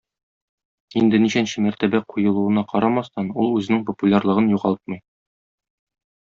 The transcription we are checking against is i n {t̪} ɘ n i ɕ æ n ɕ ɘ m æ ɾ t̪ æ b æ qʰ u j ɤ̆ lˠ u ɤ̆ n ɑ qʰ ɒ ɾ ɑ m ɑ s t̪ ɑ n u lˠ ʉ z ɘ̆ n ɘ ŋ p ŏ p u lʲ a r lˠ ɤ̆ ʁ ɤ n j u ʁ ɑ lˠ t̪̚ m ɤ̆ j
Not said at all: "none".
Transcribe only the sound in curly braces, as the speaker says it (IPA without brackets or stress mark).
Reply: d̪